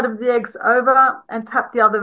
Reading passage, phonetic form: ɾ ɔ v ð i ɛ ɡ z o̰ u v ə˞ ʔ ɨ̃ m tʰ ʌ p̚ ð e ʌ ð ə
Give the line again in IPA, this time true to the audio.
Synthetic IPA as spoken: ɾ ʌ v ð i ɛ ɡ z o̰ ʊ v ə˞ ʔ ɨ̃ n tʰ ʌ p̚ ð i ʌ ð ə